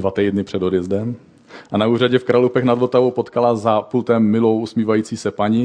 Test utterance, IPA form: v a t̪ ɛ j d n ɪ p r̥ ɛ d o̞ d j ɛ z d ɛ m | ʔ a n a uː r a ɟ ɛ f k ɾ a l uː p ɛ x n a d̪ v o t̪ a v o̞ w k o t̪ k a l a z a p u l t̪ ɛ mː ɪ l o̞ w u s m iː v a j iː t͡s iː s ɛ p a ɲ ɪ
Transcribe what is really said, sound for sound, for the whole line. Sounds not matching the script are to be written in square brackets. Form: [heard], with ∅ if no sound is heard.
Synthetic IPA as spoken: v a t̪ ɛ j d n ɪ p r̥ ɛ d o̞ d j ɛ z d ɛ m | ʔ a n a uː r a ɟ ɛ f k ɾ a l [u] p ɛ x n a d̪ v o t̪ a v o̞ w [p] o t̪ k a l a z a p u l t̪ ɛ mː ɪ l o̞ w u s m iː v a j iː t͡s iː s ɛ p a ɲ ɪ